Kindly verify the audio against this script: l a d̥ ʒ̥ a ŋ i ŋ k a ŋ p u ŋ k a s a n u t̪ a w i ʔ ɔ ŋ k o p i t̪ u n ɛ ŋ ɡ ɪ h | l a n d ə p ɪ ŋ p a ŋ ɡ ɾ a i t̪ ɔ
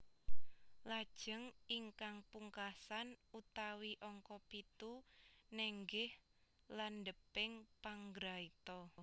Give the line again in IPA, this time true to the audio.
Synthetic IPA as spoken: l a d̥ ʒ̥ ə ŋ i ŋ k a ŋ p u ŋ k a s a n u t̪ a w i ʔ ɔ ŋ k ɔ p i t̪ u n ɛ ŋ ɡ ɪ h | l a n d ə p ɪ ŋ p a ŋ ɡ ɾ a i t̪ ɔ